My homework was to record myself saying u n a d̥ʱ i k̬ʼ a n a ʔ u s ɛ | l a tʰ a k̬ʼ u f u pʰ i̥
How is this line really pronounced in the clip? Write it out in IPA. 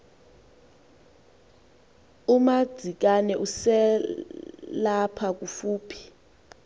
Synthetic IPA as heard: u m a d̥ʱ i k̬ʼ a n ɛ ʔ u s ɛ | l a pʰ a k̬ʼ u f uː pʰ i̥